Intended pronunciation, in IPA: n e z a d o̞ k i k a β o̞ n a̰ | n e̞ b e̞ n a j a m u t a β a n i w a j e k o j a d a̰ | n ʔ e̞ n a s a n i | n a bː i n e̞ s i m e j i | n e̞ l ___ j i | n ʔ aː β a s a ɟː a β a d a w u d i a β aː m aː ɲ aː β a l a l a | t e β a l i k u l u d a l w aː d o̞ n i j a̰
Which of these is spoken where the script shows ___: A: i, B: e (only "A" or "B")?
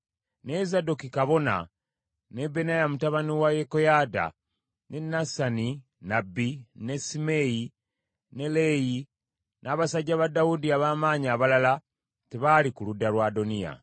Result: B